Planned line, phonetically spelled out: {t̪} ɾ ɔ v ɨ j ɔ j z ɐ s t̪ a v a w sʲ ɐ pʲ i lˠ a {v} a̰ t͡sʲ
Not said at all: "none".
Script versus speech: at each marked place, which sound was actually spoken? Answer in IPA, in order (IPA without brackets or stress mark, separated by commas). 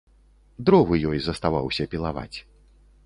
d̪, v